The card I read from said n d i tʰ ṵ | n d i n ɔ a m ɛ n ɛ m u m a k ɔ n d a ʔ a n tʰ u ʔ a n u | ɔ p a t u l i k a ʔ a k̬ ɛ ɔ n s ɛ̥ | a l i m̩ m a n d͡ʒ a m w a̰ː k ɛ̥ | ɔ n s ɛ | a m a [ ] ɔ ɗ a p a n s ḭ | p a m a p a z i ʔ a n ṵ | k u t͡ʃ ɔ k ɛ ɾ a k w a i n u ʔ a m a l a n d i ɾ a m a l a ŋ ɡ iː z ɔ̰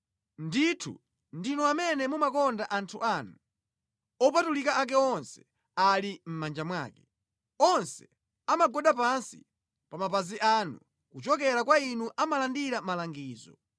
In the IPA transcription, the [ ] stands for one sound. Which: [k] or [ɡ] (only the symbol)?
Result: ɡ